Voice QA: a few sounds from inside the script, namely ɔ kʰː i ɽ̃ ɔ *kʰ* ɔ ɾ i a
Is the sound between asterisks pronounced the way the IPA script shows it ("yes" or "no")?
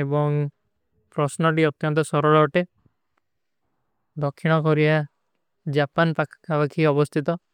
no